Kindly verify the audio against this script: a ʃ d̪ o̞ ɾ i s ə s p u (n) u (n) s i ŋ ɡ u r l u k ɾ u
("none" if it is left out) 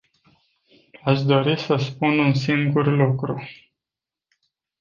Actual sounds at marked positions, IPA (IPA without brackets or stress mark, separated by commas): n, n